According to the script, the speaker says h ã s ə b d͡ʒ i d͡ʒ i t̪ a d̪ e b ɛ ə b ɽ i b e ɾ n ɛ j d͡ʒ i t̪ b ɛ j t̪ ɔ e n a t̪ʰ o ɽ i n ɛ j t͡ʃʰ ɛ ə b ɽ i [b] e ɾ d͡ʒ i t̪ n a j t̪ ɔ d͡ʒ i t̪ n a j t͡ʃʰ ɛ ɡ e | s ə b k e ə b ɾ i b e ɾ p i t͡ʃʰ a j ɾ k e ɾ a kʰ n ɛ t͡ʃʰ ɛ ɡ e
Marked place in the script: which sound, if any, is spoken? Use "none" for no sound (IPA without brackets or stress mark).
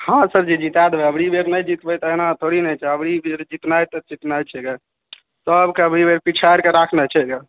b